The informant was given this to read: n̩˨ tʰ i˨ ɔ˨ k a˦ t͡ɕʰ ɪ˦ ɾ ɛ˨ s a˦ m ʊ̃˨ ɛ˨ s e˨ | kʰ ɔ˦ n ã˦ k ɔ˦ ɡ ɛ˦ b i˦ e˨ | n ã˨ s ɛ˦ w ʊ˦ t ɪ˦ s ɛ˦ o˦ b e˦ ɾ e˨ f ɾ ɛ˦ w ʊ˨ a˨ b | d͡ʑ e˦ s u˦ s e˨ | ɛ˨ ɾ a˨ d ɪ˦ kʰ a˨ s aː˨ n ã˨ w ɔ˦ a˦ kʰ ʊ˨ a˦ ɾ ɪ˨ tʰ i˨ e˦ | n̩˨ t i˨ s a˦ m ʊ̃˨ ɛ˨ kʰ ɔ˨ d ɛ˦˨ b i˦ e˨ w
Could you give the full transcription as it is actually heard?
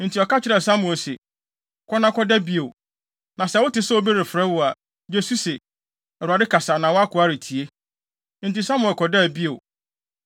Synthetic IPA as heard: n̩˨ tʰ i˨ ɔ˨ k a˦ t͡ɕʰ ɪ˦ ɾ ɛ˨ s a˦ m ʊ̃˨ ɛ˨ s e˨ | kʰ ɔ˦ n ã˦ k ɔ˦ d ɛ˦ b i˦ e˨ | n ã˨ s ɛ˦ w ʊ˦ t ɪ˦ s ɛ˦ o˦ b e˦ ɾ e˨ f ɾ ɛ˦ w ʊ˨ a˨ | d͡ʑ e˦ s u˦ s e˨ | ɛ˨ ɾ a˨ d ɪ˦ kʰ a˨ s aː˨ n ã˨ w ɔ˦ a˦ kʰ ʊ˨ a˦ ɾ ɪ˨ tʰ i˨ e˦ | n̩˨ t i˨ s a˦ m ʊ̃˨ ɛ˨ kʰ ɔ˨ d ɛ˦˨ b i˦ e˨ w